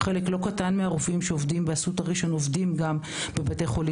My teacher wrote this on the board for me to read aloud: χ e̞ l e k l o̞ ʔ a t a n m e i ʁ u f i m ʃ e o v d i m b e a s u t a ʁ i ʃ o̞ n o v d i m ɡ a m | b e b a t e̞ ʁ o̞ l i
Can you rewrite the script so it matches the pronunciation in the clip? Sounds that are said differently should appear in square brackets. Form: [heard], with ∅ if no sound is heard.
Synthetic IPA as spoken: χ e̞ l e k l o̞ [k] a t a n m e [a] ʁ u f i m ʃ e o v d i m b e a s u t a ʁ i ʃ o̞ n o v d i m ɡ a m | b e b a t e̞ [χ] o̞ l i